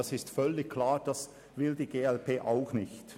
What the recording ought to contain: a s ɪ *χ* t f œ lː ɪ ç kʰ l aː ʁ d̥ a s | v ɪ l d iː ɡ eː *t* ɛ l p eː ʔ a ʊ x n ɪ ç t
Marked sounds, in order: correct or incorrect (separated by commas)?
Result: incorrect, incorrect